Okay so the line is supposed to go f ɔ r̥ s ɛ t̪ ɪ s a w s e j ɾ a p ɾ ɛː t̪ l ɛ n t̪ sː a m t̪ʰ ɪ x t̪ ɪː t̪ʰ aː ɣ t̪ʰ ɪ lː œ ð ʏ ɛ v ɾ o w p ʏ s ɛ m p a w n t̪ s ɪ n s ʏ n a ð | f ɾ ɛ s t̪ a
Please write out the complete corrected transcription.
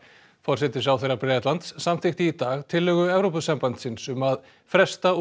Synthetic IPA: f ɔ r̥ s ɛ t̪ ɪ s a w θ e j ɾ a p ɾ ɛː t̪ l a n t̪ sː a m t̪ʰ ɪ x t̪ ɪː t̪ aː ɣ t̪ʰ ɪ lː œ ɣ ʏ ɛ v ɾ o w p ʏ s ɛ m p a n t̪ s ɪ n s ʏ m a ð | f ɾ ɛ s t̪ a